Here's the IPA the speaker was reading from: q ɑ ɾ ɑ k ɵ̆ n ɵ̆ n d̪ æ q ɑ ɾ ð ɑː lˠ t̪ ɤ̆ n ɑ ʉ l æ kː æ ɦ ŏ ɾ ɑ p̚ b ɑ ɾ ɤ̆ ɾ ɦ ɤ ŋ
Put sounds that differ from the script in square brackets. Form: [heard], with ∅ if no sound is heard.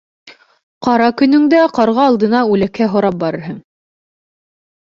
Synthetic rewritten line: q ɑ ɾ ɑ k ɵ̆ n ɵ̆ [ŋ] d̪ æ q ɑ ɾ [ʁ] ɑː lˠ [d̪] ɤ̆ n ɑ ʉ l æ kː æ ɦ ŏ ɾ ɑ p̚ b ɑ ɾ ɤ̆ ɾ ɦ ɤ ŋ